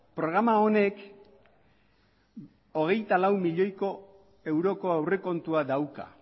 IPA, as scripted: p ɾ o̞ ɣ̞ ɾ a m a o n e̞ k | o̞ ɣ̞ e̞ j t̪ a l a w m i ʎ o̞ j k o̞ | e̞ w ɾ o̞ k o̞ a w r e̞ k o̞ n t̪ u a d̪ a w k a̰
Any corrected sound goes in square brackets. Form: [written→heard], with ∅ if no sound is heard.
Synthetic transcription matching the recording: p ɾ o̞ ɣ̞ ɾ a m a o n e̞ k | o̞ ɣ̞ e̞ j t̪ a l a w m i ʎ o̞ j k o̞ | e̞ w ɾ o̞ k o̞ a w r e̞ k o̞ n t̪ u a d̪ a w k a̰